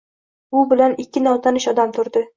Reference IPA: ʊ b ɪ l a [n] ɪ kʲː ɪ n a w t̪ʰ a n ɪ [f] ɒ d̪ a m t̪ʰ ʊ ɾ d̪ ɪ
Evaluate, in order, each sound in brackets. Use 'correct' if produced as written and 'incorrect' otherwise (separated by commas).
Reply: correct, incorrect